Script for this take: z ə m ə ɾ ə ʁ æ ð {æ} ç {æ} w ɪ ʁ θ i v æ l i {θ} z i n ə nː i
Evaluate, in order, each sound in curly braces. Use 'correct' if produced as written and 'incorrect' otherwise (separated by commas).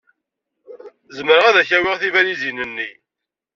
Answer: correct, correct, incorrect